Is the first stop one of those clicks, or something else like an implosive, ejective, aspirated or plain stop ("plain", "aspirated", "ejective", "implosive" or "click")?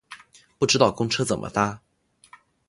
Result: plain